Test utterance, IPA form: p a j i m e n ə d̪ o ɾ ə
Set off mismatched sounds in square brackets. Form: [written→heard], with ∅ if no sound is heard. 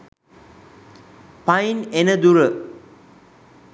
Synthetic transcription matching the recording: p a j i [m→n] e n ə d̪ [o→u] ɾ ə